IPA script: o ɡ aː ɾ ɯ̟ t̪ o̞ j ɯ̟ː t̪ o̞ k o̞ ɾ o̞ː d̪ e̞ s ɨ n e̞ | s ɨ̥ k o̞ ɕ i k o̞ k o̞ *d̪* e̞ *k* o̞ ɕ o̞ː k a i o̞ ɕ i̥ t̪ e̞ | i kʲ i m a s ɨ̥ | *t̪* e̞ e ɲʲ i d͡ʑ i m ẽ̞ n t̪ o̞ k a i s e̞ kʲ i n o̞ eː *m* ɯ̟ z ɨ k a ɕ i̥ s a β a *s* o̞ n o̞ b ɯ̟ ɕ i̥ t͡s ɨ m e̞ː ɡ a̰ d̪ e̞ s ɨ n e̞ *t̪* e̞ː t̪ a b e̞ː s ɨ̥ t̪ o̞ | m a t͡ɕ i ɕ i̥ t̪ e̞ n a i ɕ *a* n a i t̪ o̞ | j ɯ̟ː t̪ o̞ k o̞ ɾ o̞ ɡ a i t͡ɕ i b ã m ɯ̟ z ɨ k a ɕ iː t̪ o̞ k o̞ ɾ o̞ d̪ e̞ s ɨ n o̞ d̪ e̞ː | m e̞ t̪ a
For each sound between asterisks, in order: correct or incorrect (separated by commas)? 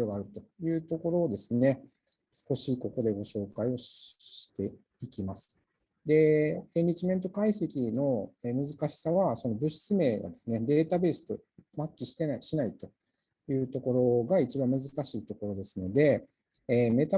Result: correct, incorrect, incorrect, correct, correct, incorrect, incorrect